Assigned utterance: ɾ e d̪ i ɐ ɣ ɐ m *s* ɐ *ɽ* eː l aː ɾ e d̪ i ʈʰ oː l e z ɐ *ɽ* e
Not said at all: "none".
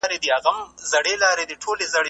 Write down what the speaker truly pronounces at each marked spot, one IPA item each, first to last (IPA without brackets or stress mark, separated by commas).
z, ɽ, ɽ